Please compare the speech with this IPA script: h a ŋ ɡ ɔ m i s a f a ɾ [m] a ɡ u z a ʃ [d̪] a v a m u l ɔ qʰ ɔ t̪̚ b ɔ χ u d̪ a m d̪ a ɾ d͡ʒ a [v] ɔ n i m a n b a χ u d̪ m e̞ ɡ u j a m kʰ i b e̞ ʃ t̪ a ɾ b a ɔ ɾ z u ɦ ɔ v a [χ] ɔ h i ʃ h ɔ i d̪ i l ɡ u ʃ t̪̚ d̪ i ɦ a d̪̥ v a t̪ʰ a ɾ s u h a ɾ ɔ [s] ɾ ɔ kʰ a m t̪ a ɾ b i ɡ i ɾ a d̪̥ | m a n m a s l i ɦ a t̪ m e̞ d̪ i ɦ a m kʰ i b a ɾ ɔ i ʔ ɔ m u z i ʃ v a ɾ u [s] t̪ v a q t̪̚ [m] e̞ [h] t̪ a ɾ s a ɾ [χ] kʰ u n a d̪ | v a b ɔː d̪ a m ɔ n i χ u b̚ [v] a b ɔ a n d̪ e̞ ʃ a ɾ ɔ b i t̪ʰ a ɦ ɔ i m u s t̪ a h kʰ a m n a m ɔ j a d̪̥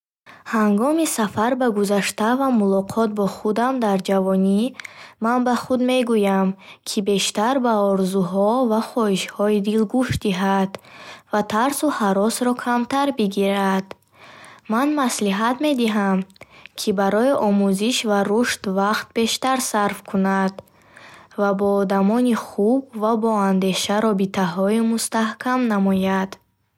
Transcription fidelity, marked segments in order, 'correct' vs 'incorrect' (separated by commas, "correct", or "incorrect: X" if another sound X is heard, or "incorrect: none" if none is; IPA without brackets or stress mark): incorrect: b, incorrect: t̪, correct, correct, correct, incorrect: ʃ, incorrect: b, incorrect: ʃ, incorrect: f, correct